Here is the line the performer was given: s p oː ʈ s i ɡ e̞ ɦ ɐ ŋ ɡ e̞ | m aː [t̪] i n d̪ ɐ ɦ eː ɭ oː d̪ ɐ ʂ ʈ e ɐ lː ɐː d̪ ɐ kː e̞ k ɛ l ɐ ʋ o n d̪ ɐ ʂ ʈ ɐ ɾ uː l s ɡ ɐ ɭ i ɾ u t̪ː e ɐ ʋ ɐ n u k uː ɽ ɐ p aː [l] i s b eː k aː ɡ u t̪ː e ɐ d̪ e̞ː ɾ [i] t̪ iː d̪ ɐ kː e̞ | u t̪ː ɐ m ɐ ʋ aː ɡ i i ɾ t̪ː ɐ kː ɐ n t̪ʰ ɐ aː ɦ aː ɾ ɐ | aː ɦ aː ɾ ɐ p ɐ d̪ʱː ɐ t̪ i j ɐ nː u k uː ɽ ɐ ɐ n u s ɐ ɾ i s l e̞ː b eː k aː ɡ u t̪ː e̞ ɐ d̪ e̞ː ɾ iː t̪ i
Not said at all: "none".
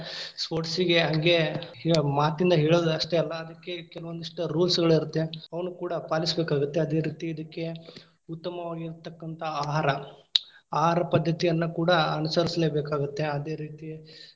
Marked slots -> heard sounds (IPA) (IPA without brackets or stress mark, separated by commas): t̪, l, iː